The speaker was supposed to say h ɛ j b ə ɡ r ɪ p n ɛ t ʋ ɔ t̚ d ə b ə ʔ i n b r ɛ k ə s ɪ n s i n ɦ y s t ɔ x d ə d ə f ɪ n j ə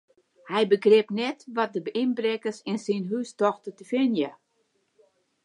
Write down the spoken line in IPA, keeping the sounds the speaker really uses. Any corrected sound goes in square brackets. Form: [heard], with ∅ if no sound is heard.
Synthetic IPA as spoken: h ɛ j b ə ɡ r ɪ p n ɛ t ʋ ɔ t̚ d ə b ə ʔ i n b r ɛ k ə s ɪ n s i n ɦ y s t ɔ x [t] ə [t] ə f ɪ n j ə